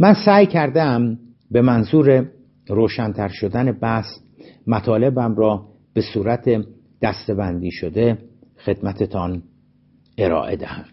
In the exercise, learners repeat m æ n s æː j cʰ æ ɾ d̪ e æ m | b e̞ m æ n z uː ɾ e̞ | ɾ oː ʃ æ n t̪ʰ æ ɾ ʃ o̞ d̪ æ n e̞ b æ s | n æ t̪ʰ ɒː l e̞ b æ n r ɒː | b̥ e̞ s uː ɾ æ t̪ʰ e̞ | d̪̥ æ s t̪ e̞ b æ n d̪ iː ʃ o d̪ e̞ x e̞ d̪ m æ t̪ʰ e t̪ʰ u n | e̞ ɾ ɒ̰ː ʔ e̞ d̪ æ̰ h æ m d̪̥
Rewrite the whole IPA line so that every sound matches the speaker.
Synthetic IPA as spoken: m æ n s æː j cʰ æ ɾ d̪ e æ m | b e̞ m æ n z uː ɾ e̞ | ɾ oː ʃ æ n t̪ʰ æ ɾ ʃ o̞ d̪ æ n e̞ b æ s | m æ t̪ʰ ɒː l e̞ b æ m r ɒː | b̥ e̞ s uː ɾ æ t̪ʰ e̞ | d̪̥ æ s t̪ e̞ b æ n d̪ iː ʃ o d̪ e̞ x e̞ d̪ m æ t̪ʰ e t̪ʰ ɒ n | e̞ ɾ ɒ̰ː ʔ e̞ d̪ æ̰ h æ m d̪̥